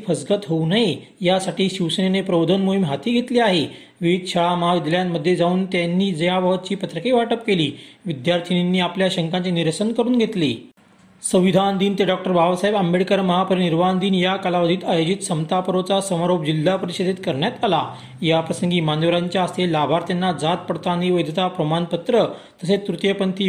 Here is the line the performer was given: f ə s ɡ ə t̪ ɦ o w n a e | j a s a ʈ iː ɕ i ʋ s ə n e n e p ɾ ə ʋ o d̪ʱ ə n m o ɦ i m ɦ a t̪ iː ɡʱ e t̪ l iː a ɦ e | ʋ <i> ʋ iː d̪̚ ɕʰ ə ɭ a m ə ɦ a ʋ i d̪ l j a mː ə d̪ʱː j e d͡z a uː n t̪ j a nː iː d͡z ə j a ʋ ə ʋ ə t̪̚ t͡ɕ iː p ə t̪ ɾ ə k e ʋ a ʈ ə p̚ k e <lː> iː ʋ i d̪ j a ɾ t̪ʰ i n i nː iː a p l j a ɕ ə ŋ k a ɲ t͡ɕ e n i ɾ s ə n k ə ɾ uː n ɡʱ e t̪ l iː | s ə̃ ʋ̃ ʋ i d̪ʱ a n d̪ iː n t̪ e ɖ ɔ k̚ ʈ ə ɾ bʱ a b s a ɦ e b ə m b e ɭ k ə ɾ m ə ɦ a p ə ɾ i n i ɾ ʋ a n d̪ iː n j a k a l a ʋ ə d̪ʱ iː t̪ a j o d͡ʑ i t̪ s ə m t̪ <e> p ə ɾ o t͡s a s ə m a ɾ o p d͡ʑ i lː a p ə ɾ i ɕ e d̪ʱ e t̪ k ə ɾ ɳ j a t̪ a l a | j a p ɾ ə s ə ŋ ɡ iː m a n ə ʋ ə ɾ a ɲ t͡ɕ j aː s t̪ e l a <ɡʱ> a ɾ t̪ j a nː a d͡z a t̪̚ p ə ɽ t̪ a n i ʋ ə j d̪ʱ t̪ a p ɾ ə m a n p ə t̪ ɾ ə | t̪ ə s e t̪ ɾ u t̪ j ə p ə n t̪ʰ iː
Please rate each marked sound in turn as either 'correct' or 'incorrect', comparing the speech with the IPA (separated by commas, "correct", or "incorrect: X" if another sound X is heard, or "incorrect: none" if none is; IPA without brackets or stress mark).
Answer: correct, incorrect: l, incorrect: a, incorrect: bʱ